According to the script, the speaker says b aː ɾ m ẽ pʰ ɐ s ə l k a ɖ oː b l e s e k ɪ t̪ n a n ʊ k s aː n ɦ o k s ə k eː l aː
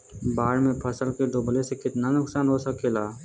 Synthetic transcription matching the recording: b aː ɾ m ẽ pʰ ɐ s ə l k e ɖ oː b l e s e k ɪ t̪ n a n ʊ k s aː n ɦ o s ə k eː l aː